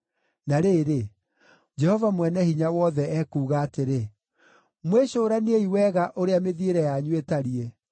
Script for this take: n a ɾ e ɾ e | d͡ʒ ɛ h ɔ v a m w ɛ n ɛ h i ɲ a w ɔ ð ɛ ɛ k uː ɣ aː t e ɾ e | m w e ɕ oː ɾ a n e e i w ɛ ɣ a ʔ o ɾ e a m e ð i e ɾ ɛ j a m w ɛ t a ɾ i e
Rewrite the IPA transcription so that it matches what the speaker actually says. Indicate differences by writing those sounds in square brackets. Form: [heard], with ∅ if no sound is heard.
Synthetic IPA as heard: n a ɾ e ɾ e | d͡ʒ ɛ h ɔ v a m w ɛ n ɛ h i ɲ a w ɔ ð ɛ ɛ k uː ɣ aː t e ɾ e | m w e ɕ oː ɾ a n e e i w ɛ ɣ a ʔ o ɾ e a m e ð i e ɾ ɛ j a [ɲ] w [e] t a ɾ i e

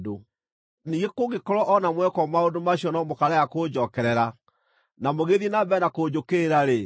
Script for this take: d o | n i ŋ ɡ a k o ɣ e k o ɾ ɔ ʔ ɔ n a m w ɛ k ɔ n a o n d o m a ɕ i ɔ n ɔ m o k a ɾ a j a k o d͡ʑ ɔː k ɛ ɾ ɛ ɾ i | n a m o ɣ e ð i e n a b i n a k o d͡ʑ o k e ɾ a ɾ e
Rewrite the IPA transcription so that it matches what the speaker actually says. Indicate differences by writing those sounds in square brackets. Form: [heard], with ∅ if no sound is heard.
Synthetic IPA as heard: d o | n i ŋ ɡ [e] k o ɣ e k [ɔ] ɾ ɔ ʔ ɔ n a m w ɛ k ɔ [m] a o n d o m a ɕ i ɔ n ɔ m o k a ɾ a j a k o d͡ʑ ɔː k ɛ ɾ ɛ ɾ [a] | n a m o ɣ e ð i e n a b [ɛ] n a k o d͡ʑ o k e ɾ a ɾ e

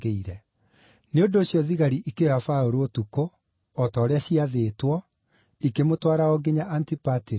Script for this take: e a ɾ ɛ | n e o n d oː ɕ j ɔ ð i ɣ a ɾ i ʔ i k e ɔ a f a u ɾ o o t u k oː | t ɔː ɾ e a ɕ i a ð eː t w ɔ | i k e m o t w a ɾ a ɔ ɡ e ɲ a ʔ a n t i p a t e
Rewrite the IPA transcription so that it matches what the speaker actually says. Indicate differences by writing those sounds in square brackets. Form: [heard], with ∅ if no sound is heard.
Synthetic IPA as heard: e [i] ɾ ɛ | n e o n d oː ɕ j ɔ ð i ɣ a ɾ i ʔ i k e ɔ a f a [o] ɾ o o t u k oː | t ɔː ɾ e a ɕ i a ð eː t w ɔ | i k e m o t w a ɾ a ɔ ɡ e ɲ a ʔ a n t i p a t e

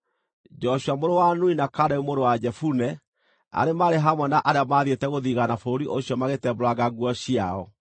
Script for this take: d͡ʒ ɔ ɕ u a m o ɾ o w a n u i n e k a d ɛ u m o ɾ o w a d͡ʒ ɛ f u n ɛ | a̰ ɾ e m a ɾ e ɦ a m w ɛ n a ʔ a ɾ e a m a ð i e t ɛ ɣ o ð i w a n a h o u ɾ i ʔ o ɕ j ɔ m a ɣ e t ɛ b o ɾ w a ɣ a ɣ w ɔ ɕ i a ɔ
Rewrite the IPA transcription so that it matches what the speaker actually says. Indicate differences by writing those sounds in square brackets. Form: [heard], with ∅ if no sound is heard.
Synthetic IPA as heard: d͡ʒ ɔ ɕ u a m o ɾ o w a n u i n [a] k a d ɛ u m o ɾ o w a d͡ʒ ɛ f u n ɛ | a̰ ɾ e m a ɾ e ɦ a m w ɛ n a ʔ a ɾ e a m a ð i e t ɛ ɣ o ð i [ɣ] a n a [f] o [o] ɾ i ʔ o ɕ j ɔ m a ɣ e t ɛ b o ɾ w a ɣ a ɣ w ɔ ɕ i a ɔ

